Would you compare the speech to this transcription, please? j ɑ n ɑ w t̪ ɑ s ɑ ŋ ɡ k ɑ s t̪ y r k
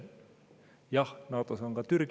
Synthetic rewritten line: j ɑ n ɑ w t̪ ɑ s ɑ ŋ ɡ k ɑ t̪ y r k